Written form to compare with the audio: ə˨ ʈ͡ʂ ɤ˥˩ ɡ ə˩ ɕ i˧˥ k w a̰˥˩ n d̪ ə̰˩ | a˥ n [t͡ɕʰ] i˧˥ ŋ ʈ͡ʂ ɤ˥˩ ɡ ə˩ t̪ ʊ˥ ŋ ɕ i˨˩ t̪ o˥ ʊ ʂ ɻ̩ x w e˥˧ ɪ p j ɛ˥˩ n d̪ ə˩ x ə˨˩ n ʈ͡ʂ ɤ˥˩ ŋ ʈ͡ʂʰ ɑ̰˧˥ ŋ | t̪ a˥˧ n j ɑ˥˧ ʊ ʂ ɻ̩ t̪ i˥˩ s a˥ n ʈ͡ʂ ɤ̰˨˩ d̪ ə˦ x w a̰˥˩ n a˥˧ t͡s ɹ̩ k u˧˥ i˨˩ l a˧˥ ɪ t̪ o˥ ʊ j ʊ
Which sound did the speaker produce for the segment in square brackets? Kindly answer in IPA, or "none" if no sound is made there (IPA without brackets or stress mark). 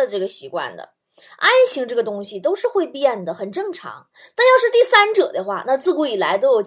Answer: t͡ɕʰ